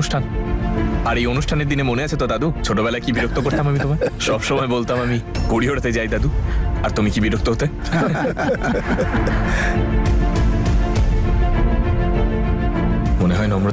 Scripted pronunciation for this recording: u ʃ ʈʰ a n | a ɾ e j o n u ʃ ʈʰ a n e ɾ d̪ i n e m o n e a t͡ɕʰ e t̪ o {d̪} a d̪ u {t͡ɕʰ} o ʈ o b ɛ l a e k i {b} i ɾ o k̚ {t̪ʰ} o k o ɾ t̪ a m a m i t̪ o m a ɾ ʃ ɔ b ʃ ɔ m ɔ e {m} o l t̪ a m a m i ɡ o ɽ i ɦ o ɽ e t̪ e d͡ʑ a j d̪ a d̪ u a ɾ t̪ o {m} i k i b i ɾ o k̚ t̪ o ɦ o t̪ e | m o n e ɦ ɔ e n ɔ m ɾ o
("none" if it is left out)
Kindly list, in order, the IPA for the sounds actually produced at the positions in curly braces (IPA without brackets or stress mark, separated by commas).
d̪, t͡ɕʰ, b, t̪, b, m